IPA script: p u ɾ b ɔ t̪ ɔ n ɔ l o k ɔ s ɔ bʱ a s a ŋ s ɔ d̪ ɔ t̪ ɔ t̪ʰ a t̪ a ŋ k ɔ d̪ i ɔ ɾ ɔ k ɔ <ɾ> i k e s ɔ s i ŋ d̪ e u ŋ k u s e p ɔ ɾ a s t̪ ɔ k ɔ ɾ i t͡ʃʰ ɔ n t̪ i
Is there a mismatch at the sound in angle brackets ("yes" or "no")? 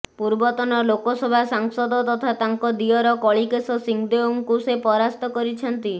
yes